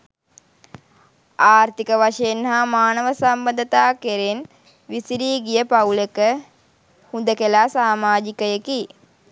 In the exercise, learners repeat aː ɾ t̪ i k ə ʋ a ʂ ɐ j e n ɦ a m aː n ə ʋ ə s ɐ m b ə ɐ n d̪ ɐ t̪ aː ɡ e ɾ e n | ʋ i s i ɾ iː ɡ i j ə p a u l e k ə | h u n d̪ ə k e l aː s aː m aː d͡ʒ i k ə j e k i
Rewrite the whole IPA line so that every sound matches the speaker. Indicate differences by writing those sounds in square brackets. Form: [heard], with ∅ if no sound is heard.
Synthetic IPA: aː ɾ t̪ i k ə ʋ a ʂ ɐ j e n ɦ a m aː n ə ʋ ə s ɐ m b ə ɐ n d̪ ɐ t̪ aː [k] e ɾ e n | ʋ i s i ɾ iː ɡ i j ə p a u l e k ə | h u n d̪ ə k e l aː s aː m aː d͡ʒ i k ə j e k i